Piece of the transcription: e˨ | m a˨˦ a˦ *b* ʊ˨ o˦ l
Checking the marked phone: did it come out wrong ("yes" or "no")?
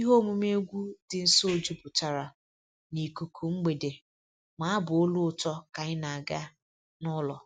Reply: no